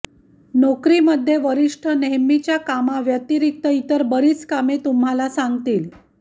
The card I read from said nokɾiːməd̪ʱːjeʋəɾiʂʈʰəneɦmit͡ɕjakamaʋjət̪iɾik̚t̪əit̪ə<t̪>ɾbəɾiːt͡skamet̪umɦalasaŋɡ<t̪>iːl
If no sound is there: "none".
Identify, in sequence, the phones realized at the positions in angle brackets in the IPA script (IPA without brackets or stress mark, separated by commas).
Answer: none, t̪